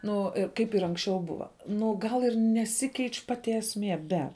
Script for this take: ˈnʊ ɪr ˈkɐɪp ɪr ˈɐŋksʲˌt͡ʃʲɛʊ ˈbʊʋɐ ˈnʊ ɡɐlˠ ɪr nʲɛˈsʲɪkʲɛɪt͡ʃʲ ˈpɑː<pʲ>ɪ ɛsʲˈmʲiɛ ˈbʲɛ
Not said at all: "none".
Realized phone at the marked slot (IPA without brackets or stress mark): tʲ